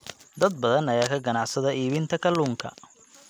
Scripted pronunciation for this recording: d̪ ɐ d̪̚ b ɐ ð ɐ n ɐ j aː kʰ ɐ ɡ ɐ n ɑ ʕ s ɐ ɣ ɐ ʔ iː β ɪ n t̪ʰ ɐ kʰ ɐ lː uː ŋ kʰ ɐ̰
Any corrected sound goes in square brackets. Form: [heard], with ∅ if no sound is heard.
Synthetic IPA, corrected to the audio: d̪ ɐ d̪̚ b ɐ ð ɐ n ɐ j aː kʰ ɐ ɡ ɐ n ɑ ʕ s ɐ [ð] ɐ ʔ iː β ɪ n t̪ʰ ɐ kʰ ɐ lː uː ŋ kʰ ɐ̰